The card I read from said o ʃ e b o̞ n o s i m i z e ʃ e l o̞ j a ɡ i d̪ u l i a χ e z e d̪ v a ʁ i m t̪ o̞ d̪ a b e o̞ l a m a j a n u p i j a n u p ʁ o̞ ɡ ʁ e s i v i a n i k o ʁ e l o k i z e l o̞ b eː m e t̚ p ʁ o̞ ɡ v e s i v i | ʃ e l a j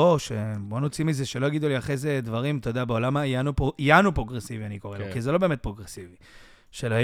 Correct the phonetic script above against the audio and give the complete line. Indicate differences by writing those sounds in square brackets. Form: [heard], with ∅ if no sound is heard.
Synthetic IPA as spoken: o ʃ e b o̞ n o [t͡s] i m i z e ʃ e l o̞ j a ɡ i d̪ u l i a χ e z e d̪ v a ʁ i m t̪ o̞ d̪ a b e o̞ l a m a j a n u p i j a n u p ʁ o̞ ɡ ʁ e s i v i a n i k o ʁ e l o k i z e l o̞ b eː m e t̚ p ʁ o̞ ɡ [ʁ] e s i v i | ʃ e l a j